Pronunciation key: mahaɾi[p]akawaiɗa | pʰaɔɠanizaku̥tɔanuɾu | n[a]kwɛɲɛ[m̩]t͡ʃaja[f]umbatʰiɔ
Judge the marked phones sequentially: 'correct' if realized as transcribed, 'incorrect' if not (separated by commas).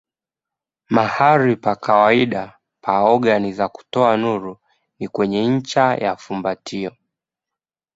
correct, incorrect, incorrect, correct